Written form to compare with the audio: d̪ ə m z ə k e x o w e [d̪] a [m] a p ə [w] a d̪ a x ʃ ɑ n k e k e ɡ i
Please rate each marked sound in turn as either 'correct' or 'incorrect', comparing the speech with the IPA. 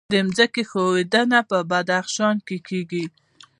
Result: correct, incorrect, incorrect

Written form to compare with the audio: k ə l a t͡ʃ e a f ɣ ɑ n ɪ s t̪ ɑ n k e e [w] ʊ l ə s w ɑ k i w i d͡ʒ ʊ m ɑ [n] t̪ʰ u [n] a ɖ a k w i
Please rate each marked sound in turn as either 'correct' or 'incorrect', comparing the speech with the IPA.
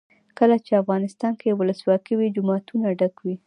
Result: correct, incorrect, correct

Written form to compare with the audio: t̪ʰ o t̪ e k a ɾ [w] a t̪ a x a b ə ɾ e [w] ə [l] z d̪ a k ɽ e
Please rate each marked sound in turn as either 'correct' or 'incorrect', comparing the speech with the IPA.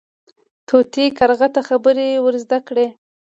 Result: incorrect, correct, incorrect

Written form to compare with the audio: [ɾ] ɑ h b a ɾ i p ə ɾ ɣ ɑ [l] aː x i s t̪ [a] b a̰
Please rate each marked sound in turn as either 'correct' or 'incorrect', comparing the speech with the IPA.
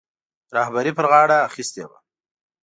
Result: correct, incorrect, incorrect

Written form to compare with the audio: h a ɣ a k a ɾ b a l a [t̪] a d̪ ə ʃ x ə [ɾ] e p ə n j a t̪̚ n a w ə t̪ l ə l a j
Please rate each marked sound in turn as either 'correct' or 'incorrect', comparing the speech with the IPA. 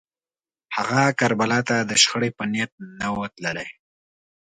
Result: correct, incorrect

